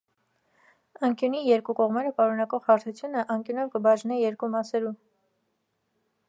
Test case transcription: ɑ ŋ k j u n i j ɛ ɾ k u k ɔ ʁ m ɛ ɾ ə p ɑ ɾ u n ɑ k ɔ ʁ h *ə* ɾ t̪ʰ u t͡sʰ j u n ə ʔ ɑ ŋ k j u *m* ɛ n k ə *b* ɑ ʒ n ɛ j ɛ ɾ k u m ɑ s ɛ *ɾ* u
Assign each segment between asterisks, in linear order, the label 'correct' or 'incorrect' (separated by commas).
incorrect, incorrect, correct, correct